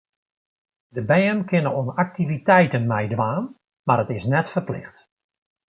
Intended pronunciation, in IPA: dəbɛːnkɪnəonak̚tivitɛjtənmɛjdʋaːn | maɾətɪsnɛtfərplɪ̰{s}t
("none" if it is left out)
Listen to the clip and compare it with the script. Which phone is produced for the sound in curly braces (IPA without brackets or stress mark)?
x